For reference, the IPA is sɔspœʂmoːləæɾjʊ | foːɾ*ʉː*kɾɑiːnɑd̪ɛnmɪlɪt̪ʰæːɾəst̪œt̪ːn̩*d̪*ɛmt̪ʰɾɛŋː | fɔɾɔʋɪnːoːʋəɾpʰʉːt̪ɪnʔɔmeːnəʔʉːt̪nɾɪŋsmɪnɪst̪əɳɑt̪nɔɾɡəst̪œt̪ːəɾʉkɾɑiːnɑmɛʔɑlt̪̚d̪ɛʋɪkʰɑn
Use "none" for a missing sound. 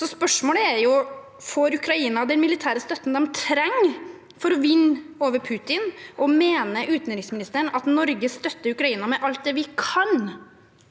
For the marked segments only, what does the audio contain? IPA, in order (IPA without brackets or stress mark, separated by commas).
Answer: ʉ, d̪